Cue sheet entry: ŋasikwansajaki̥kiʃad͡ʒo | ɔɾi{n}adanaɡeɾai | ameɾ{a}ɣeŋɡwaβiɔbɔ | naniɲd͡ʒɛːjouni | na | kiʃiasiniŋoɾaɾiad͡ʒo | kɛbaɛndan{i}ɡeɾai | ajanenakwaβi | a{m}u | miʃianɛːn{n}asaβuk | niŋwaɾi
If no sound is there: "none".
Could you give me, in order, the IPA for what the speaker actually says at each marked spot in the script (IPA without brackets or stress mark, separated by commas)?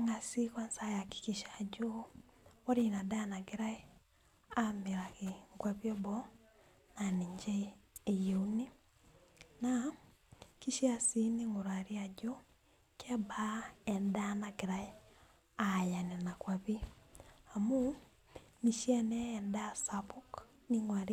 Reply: n, a, a, m, d